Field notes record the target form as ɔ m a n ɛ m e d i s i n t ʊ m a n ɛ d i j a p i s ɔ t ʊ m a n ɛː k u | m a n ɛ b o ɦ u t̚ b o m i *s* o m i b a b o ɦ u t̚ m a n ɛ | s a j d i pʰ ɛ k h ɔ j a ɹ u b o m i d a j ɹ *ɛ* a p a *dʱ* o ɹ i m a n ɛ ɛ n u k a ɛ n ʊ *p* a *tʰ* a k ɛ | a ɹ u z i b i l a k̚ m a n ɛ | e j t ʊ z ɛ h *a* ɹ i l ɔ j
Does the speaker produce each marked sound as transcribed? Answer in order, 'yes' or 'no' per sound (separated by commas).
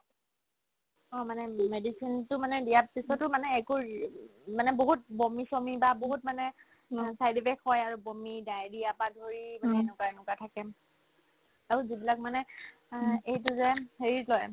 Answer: yes, no, yes, no, yes, no